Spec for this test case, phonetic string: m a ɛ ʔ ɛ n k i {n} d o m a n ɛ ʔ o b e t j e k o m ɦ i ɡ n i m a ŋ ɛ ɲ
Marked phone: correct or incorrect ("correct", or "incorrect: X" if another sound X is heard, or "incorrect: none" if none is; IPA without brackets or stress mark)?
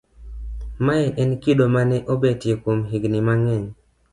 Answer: incorrect: none